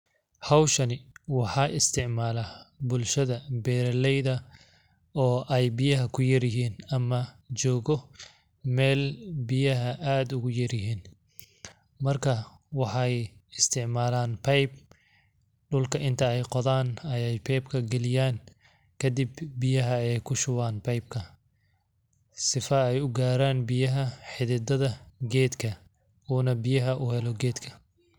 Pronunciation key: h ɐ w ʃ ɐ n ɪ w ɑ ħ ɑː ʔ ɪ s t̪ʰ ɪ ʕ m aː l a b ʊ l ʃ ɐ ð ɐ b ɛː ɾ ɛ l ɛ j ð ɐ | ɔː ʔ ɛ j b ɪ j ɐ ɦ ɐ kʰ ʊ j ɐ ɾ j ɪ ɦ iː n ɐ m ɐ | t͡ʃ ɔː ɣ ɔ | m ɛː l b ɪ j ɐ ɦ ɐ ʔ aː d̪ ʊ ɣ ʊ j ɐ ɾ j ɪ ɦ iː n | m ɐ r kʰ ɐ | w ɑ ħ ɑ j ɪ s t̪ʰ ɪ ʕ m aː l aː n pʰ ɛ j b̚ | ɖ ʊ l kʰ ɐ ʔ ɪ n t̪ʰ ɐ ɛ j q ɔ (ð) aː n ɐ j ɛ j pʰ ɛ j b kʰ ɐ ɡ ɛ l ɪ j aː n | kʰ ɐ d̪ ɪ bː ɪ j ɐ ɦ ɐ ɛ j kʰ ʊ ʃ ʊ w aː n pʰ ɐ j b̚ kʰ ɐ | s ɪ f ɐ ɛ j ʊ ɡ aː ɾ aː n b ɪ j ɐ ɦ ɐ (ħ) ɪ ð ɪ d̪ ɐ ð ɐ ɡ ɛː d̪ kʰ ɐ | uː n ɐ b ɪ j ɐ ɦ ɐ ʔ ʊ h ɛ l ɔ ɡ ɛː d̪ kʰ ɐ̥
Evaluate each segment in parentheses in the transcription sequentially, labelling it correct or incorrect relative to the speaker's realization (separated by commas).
correct, correct